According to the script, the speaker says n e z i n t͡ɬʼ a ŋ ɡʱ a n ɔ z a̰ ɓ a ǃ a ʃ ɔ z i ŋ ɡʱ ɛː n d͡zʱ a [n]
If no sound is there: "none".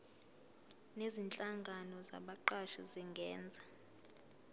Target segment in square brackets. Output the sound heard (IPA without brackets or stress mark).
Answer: none